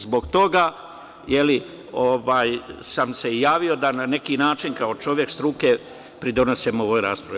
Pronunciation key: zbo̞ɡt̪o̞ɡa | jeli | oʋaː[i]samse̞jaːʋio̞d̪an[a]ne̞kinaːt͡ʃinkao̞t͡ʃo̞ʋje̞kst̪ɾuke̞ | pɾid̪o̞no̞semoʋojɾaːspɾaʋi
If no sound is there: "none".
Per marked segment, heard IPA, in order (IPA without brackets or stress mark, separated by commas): j, a